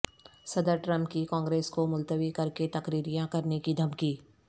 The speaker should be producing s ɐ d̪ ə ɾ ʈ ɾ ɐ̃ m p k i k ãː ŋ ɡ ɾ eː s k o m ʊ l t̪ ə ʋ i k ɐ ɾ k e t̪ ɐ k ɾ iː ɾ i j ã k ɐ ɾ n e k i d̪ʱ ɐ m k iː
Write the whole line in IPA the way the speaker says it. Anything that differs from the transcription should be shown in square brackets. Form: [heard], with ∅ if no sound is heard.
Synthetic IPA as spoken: s ɐ d̪ ə ɾ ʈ ɾ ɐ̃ m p k i k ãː ŋ ɡ ɾ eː s k o m ʊ l t̪ ə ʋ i k ɐ ɾ k e t̪ ɐ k ɾ iː ɾ i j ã k ɐ ɾ n e k i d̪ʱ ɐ m k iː